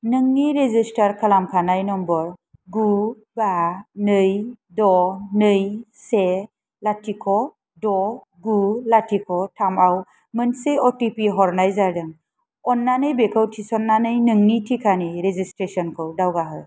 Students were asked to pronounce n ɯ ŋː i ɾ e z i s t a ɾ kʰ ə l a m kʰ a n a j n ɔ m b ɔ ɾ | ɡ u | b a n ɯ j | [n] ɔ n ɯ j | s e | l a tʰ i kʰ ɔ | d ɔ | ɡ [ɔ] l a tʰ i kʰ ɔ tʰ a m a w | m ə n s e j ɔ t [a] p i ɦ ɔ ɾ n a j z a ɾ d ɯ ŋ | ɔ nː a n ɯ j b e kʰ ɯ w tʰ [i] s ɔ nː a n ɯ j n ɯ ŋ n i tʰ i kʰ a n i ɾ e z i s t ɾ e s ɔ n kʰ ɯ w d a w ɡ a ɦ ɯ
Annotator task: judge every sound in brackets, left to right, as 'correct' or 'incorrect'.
incorrect, incorrect, incorrect, correct

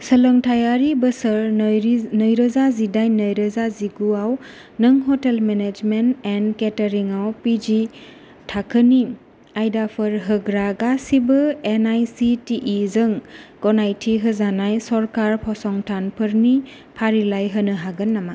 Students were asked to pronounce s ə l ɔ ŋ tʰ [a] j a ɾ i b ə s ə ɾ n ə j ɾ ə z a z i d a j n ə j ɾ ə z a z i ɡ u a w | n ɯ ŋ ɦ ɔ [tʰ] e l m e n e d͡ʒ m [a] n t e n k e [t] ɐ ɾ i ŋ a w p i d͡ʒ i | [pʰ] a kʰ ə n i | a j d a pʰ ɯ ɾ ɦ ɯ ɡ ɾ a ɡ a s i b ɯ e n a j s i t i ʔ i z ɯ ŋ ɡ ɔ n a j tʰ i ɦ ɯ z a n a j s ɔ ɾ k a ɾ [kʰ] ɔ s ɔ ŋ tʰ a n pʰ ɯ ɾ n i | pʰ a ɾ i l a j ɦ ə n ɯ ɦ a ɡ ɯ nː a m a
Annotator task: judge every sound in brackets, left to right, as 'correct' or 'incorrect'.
correct, incorrect, incorrect, correct, incorrect, incorrect

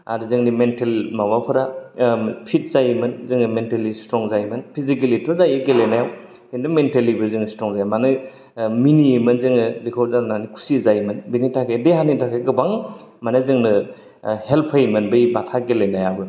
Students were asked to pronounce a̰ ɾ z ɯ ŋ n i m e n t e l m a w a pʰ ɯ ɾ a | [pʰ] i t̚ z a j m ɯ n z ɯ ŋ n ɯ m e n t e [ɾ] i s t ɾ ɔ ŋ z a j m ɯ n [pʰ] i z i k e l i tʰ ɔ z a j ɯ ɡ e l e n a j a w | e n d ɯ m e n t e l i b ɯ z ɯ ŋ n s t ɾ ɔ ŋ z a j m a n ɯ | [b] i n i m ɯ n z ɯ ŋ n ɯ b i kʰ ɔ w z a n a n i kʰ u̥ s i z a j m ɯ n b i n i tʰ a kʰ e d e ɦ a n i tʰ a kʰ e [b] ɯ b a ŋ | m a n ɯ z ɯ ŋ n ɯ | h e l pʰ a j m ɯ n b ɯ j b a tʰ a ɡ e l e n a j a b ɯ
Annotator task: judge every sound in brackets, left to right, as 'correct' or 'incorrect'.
correct, incorrect, correct, incorrect, incorrect

